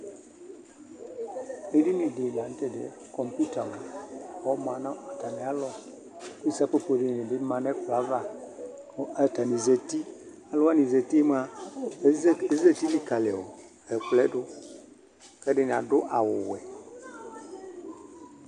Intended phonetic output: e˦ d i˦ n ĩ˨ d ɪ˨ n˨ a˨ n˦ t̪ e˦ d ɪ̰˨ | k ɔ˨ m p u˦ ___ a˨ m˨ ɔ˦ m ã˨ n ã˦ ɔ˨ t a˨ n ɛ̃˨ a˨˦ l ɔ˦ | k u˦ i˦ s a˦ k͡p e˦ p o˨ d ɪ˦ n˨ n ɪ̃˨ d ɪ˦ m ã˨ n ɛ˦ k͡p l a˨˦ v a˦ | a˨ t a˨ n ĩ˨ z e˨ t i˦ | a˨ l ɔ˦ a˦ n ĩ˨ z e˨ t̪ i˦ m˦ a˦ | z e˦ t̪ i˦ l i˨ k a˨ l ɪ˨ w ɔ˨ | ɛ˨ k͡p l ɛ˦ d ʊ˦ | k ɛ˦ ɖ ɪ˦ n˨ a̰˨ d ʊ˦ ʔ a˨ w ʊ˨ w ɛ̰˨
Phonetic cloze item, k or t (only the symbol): t